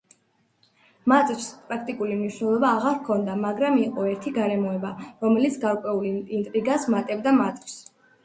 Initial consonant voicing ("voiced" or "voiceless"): voiced